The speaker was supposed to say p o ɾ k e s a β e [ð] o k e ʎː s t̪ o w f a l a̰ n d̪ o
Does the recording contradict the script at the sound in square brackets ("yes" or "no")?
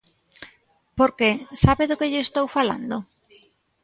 no